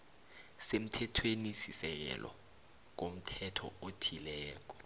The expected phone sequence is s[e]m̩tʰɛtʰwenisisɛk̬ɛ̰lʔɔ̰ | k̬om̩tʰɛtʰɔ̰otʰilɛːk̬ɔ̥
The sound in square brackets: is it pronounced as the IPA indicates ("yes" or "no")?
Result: yes